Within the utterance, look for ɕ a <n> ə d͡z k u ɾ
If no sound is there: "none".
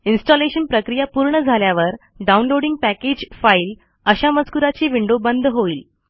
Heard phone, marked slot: m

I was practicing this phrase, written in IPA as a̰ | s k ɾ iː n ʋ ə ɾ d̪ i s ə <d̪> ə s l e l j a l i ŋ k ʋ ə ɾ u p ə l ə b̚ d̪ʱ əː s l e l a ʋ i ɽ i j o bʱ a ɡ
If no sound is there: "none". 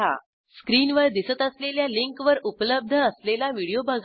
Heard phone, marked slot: t̪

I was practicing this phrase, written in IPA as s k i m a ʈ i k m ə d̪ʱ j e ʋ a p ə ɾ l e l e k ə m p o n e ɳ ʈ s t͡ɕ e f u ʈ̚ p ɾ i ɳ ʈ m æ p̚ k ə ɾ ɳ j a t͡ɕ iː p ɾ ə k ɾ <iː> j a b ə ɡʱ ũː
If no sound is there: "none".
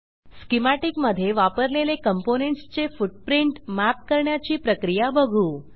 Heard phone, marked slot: i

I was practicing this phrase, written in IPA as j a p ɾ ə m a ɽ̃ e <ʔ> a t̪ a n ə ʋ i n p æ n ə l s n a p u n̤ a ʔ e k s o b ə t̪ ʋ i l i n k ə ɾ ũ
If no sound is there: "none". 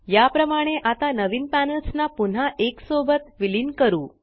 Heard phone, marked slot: ʔ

